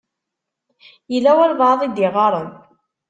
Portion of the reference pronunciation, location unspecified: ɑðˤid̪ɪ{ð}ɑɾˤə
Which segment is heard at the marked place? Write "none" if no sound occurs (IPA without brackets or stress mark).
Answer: ʁ